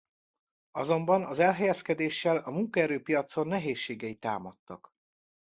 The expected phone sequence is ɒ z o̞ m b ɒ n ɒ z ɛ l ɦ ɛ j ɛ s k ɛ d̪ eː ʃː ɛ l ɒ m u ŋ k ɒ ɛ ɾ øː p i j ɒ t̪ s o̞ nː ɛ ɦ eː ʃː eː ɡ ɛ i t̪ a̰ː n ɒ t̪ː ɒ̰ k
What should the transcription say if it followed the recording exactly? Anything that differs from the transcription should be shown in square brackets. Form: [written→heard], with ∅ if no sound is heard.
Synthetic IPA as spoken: ɒ z o̞ m b ɒ n ɒ z ɛ l ɦ ɛ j ɛ s k ɛ d̪ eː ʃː ɛ l ɒ m u ŋ k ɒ ɛ ɾ øː p i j ɒ t̪ s o̞ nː ɛ ɦ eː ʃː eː ɡ ɛ i t̪ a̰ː [n→m] ɒ t̪ː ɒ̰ k